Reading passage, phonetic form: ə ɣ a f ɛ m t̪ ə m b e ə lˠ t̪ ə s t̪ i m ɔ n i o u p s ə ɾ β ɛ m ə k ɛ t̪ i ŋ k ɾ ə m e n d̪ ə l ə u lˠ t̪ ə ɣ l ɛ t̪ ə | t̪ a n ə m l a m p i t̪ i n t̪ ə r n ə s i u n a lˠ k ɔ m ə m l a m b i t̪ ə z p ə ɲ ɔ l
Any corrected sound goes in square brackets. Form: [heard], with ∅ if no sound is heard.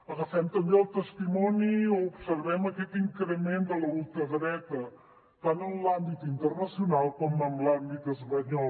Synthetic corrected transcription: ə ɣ [ə] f ɛ m t̪ ə m b e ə lˠ t̪ ə s t̪ i m ɔ n i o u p s ə ɾ β ɛ m ə k ɛ t̪ i ŋ k ɾ ə m e n d̪ ə l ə u lˠ t̪ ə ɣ [ɾ] ɛ t̪ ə | t̪ a n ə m l a m [b] i t̪ i n t̪ ə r n ə s i u n a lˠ k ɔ m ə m l a m b i t̪ ə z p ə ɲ ɔ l